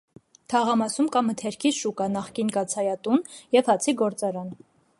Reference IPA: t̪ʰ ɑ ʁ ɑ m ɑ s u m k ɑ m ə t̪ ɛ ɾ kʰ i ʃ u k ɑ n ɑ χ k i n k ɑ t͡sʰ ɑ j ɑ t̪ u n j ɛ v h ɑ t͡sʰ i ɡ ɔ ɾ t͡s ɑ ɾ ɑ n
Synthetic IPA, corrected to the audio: t̪ʰ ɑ ʁ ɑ m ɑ s u m k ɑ m ə t̪ʰ ɛ ɾ kʰ i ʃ u k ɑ n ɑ χ k i n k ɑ t͡sʰ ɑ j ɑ t̪ u n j ɛ v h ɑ t͡sʰ i ɡ ɔ ɾ t͡s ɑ ɾ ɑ n